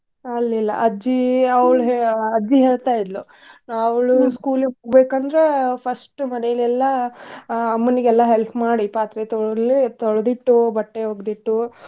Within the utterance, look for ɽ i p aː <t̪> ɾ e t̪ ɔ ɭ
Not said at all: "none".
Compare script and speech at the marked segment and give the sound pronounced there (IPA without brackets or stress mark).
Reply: t̪